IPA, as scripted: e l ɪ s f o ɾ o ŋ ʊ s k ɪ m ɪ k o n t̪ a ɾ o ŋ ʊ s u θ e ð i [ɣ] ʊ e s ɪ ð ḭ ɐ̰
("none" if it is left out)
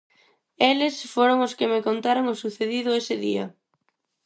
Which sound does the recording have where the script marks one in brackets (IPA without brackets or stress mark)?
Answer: ð